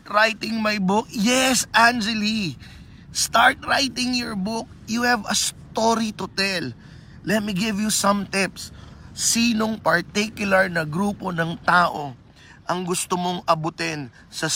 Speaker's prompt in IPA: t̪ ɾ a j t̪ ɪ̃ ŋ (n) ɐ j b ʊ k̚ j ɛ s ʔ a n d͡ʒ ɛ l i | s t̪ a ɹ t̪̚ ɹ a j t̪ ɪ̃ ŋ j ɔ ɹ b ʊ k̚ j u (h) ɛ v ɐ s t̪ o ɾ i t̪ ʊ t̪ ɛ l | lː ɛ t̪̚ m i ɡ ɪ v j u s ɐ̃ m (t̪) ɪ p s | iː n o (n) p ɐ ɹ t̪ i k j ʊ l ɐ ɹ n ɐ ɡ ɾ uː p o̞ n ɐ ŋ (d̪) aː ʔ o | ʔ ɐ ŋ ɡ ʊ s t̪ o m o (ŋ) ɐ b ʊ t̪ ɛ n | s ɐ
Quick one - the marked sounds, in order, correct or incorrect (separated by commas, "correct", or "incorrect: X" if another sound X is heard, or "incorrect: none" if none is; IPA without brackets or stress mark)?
incorrect: m, correct, correct, incorrect: ŋ, incorrect: t̪, correct